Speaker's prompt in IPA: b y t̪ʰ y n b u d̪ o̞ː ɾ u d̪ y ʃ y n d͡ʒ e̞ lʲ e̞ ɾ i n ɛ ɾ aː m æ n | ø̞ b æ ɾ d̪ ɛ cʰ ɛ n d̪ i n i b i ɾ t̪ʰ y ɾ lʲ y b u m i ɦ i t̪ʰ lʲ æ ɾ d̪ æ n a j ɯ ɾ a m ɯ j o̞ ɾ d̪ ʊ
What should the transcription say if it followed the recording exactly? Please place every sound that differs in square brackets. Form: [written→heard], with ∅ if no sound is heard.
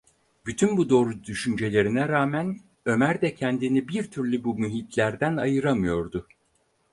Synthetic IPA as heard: b y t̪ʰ y n b u d̪ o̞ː ɾ u d̪ y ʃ y n d͡ʒ e̞ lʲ e̞ ɾ i n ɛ ɾ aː m æ n | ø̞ [b→m] æ ɾ d̪ ɛ cʰ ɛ n d̪ i n i b i ɾ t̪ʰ y ɾ lʲ y b u m [i→y] ɦ i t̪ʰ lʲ æ ɾ d̪ æ n a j ɯ ɾ a m ɯ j o̞ ɾ d̪ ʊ